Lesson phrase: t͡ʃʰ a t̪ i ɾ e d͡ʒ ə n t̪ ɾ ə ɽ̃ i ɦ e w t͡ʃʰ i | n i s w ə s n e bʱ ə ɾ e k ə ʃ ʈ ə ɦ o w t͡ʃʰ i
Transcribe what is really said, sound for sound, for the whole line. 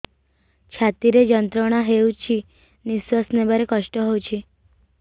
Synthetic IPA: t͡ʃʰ a t̪ i ɾ e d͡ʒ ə n t̪ ɾ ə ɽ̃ a ɦ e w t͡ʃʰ i | n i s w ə s n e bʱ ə ɾ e k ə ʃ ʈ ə ɦ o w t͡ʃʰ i